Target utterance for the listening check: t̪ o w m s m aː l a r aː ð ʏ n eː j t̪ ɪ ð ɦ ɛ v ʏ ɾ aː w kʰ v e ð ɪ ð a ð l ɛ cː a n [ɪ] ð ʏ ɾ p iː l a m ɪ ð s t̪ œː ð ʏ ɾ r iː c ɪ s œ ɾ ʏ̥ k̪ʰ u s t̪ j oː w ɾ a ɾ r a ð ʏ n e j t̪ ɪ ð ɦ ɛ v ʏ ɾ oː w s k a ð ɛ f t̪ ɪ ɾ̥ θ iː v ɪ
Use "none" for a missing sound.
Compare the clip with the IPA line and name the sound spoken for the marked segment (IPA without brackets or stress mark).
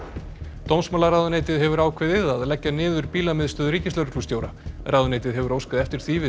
ɪː